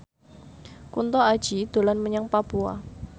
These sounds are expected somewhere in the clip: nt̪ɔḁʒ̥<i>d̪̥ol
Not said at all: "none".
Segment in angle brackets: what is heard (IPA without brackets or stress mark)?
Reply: i